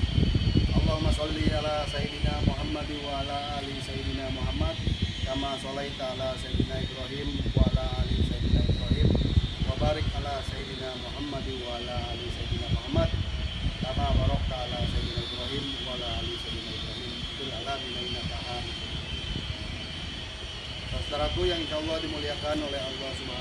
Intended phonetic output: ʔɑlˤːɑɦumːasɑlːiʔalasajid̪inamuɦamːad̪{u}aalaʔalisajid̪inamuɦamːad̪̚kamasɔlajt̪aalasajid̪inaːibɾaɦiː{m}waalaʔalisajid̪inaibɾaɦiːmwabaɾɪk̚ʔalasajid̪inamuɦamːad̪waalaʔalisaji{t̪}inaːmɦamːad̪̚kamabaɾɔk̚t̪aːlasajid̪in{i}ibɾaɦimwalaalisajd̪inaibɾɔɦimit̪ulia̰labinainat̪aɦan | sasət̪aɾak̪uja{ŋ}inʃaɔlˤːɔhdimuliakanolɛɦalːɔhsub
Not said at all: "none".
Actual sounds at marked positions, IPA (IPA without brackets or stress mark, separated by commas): w, m, d̪, a, ŋ